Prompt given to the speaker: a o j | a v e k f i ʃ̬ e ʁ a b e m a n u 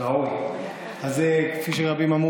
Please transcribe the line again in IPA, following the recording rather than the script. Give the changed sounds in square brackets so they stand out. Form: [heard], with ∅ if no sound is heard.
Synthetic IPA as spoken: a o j | a [z] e k f i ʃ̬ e ʁ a b [i] m a [m] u

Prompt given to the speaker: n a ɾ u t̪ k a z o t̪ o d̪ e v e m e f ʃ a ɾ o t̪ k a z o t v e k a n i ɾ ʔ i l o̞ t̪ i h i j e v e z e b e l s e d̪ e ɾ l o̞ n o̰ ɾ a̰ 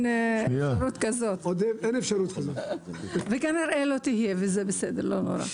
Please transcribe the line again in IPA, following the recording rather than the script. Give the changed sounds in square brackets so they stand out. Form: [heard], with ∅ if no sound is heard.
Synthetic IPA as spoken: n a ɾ u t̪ k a z o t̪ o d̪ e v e [n] e f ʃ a ɾ [u] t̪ k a z o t v e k a n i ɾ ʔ [e] l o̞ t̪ i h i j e v e z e b e [∅] s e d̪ e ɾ l o̞ n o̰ ɾ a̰

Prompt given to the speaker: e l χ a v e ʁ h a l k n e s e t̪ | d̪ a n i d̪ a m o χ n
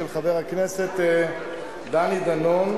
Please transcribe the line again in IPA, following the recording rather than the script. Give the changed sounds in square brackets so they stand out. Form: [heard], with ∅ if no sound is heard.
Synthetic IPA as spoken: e l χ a v e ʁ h a [∅] k n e s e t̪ | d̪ a n i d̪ a [n] o [∅] n

